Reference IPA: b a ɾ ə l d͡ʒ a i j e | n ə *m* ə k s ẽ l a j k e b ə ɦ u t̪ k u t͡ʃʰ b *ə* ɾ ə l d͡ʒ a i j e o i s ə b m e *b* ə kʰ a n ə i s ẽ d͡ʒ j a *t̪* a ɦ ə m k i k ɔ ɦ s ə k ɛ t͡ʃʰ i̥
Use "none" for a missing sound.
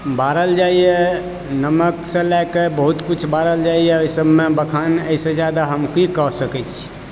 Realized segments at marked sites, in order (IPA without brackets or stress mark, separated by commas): m, a, b, d̪